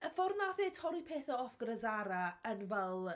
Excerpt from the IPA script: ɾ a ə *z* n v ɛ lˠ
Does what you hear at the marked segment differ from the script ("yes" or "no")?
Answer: yes